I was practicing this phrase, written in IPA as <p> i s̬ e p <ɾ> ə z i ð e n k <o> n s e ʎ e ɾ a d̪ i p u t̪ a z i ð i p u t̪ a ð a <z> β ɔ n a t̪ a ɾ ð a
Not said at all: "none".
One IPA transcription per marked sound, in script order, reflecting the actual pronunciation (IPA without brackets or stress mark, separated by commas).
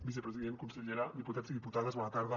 b, ɾ, u, z